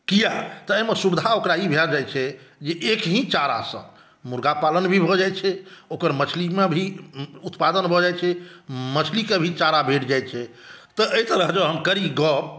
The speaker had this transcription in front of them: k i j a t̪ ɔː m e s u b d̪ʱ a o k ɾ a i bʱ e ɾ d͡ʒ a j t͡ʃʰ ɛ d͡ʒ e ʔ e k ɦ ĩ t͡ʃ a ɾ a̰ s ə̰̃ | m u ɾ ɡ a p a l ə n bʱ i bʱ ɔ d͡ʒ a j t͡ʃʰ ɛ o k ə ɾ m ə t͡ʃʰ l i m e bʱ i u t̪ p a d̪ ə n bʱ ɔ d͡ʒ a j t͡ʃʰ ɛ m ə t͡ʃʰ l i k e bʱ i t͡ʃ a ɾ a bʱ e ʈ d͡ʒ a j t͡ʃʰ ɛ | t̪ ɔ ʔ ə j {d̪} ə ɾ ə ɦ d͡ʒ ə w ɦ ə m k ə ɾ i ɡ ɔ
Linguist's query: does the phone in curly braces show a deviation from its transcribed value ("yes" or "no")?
yes